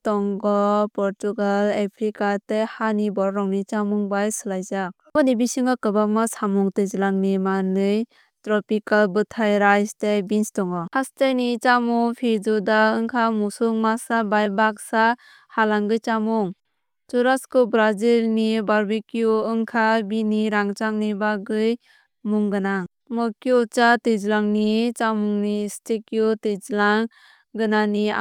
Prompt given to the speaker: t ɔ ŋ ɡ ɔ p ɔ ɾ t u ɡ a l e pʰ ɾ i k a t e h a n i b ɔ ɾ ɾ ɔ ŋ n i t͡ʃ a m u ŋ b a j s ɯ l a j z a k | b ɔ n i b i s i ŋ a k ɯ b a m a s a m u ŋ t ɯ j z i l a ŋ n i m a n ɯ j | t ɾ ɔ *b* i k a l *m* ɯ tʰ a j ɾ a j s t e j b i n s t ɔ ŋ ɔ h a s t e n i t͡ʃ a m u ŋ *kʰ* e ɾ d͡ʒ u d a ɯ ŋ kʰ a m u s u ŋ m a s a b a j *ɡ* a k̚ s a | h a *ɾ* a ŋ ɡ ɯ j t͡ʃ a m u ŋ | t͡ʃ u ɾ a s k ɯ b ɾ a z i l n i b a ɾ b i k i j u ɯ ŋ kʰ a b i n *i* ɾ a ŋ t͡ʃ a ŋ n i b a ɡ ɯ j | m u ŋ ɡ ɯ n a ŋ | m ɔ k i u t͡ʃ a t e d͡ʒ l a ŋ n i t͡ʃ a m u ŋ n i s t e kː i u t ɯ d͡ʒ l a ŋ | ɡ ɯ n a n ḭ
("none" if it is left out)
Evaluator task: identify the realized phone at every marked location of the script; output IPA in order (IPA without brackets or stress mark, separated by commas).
p, b, pʰ, b, l, i